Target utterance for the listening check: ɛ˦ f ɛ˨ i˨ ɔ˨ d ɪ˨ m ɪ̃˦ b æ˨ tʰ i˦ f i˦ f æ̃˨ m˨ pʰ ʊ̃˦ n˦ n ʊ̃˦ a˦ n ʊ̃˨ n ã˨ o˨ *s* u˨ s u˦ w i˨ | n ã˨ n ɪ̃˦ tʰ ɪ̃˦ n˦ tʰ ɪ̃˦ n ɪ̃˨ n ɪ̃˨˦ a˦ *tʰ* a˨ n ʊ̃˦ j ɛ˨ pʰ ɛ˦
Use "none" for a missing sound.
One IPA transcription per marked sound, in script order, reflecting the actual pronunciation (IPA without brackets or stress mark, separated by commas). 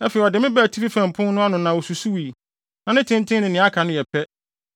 s, kʰ